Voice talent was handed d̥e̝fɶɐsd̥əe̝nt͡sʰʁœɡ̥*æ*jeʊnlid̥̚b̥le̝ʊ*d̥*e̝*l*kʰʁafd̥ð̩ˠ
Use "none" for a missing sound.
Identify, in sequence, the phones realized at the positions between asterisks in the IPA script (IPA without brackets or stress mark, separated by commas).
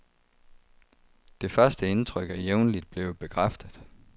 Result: æ, b̥, none